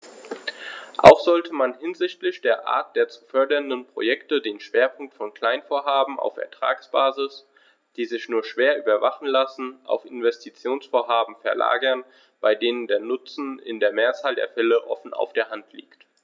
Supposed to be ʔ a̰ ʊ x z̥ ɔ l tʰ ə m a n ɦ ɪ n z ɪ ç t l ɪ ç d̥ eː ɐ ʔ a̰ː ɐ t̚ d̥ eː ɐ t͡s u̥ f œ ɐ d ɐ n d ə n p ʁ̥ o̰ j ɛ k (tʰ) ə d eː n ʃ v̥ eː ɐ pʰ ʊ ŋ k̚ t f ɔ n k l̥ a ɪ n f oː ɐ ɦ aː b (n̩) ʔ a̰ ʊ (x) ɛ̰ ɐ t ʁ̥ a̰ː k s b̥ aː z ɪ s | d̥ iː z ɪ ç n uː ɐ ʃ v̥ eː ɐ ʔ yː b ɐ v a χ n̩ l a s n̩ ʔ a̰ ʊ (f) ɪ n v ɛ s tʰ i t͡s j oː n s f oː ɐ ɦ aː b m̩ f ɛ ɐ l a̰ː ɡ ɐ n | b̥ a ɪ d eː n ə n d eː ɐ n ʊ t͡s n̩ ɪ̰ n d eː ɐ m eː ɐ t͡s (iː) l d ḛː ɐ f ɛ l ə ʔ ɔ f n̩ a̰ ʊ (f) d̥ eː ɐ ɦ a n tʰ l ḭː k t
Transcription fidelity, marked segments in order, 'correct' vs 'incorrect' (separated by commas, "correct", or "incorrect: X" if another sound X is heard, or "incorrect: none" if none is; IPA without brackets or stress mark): incorrect: t, incorrect: m̩, incorrect: f, correct, incorrect: aː, correct